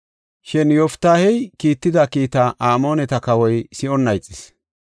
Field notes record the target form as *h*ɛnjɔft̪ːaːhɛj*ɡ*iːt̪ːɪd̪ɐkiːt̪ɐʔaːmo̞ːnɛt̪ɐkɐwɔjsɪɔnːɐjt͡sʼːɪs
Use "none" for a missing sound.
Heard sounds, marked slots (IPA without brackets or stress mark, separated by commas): ʃ, k